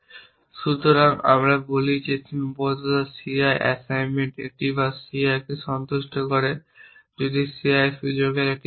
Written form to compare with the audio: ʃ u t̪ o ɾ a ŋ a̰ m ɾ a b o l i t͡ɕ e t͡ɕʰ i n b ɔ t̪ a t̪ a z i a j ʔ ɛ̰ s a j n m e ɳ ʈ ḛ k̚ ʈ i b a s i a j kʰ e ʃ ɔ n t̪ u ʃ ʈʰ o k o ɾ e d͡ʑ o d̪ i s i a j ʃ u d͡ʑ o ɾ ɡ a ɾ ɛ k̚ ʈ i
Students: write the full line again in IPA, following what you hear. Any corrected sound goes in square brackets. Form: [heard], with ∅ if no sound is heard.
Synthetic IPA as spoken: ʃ u t̪ o ɾ a ŋ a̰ m ɾ a b o l i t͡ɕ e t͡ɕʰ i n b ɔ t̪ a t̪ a [s] i a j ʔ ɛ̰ s a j n m e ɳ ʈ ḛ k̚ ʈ i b a s i a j [k] e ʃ ɔ n t̪ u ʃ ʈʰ o k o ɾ e d͡ʑ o d̪ i s i a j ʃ u d͡ʑ o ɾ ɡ [e] ɾ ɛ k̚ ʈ i